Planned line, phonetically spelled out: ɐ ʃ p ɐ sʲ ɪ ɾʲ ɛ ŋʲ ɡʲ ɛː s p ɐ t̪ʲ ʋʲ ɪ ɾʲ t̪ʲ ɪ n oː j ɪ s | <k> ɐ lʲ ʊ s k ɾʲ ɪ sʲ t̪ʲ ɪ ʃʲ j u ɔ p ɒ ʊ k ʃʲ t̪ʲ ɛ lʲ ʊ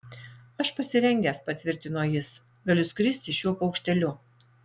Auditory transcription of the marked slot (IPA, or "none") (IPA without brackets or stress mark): ɡ